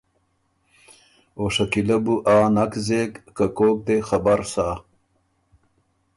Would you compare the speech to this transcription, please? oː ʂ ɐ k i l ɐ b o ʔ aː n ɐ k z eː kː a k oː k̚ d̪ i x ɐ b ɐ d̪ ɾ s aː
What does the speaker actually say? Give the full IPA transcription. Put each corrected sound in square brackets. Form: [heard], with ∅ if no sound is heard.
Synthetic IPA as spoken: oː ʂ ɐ k i l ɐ b [u] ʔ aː n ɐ k z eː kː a k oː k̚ d̪ [e] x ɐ b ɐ [∅] ɾ s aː